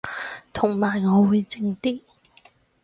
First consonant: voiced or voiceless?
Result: voiceless